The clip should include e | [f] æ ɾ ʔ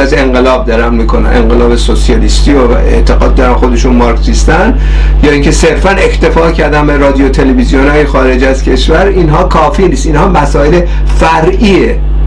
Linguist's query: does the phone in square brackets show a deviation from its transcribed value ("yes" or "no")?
no